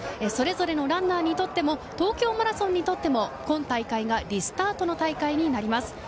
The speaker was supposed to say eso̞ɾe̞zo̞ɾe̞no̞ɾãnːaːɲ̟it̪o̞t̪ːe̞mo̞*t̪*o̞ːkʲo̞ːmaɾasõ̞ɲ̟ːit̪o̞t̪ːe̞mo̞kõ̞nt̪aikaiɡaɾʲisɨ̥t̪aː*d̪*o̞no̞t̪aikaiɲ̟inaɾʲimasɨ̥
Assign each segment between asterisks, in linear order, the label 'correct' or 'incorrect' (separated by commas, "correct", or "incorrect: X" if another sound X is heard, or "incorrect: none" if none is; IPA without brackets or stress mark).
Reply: correct, incorrect: t̪